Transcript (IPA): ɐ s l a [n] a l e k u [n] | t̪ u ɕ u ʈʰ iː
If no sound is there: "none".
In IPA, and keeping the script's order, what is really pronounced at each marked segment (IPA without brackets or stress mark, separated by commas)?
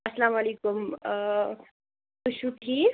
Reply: m, m